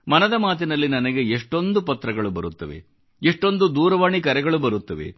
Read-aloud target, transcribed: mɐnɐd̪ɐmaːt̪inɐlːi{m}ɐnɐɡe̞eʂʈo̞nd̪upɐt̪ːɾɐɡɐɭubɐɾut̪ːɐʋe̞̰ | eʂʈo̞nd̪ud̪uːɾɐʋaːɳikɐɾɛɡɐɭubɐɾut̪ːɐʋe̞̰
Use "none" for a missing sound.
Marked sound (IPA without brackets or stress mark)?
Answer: n